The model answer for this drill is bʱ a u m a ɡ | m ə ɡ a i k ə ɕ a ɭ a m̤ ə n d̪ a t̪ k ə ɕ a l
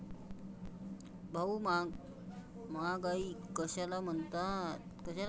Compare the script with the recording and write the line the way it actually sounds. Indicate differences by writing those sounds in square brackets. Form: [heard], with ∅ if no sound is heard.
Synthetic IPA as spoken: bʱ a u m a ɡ | m [a] ɡ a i k ə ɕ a [l] a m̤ ə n [t̪] a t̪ k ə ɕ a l